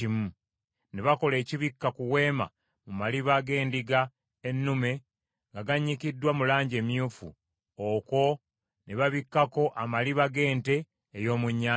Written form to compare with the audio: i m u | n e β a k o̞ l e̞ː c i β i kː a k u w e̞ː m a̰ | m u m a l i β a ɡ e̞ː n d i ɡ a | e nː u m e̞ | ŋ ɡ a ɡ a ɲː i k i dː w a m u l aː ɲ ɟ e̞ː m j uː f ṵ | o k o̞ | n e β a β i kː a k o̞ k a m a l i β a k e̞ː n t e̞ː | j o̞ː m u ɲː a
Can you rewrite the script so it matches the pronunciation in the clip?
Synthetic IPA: i m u | n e β a k o̞ l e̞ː c i β i kː a k u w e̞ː m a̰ | m u m a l i β a ɡ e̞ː n d i ɡ a | e nː u m e̞ | ŋ ɡ a ɡ a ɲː i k i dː w a m u l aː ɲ ɟ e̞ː m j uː f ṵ | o k o̞ | n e β a β i kː a k o̞ ʔ a m a l i β a ɡ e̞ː n t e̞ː | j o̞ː m u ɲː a

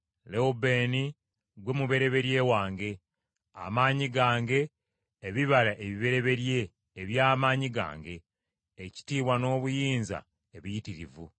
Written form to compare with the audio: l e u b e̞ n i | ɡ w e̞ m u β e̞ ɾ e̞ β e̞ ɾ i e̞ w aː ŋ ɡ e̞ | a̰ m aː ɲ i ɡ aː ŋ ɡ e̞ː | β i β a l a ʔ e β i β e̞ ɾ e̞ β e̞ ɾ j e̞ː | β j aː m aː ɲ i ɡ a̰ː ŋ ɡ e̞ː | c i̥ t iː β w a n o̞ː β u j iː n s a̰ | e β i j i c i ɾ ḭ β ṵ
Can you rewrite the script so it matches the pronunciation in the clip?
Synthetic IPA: l e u b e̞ n i | ɡ w e̞ m u β e̞ ɾ e̞ β e̞ ɾ j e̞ w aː ŋ ɡ e̞ | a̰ m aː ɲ i ɡ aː ŋ ɡ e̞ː | β i β a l a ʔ e β i β e̞ ɾ e̞ β e̞ ɾ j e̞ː | β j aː m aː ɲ i ɡ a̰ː ŋ ɡ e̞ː | c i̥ t iː β w a n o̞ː β u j iː n z a̰ | e β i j i t i ɾ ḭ v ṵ

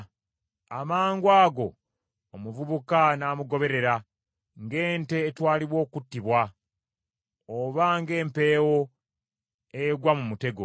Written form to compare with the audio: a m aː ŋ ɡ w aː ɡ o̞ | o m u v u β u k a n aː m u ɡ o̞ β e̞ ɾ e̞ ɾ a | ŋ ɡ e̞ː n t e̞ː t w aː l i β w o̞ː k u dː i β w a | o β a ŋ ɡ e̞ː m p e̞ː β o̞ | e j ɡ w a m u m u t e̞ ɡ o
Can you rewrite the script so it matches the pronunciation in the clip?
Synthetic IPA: a m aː ŋ ɡ w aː ɡ o̞ | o m u v u β u k a n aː m u ɡ o̞ β e̞ ɾ e̞ ɾ a | ŋ ɡ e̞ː n t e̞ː t w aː l i β w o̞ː k u tː i β w a | o β a ŋ ɡ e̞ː m p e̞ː w o̞ | e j ɡ w a m u m u t e̞ ɡ o

